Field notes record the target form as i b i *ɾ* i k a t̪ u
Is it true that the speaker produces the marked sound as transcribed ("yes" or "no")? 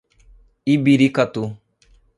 yes